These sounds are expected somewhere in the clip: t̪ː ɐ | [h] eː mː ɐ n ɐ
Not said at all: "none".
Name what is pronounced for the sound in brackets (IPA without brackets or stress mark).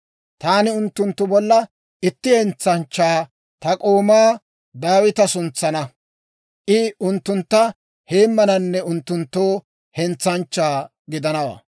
h